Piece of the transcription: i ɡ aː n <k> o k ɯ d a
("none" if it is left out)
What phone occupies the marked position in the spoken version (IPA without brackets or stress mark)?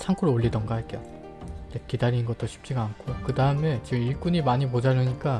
kʰ